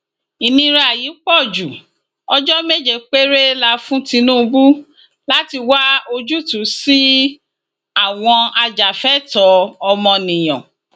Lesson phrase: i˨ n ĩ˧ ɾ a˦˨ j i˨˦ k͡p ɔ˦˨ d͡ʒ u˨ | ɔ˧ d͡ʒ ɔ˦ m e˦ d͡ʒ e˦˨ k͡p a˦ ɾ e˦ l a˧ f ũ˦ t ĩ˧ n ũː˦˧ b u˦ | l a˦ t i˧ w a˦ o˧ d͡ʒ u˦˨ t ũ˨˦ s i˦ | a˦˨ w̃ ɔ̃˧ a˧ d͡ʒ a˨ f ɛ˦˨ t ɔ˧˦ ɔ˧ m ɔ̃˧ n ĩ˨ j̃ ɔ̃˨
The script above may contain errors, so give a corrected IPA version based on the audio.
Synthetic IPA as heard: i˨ n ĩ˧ ɾ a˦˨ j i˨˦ k͡p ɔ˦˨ d͡ʒ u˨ | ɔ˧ d͡ʒ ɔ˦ m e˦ d͡ʒ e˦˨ k͡p e˦ ɾ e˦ l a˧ f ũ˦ t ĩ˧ n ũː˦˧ b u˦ | l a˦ t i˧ w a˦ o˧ d͡ʒ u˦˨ t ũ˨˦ s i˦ | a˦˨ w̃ ɔ̃˧ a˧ d͡ʒ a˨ f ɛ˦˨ t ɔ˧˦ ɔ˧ m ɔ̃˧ n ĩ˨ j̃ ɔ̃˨